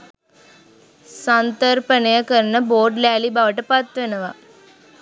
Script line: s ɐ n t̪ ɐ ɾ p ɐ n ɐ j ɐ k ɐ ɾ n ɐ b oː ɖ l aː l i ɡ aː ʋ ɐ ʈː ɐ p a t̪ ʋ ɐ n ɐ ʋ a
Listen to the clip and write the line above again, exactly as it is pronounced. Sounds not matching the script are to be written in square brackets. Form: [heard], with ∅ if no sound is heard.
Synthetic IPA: s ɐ n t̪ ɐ ɾ p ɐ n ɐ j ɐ k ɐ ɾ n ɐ b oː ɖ l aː l i [b] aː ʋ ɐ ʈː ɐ p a t̪ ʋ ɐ n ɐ ʋ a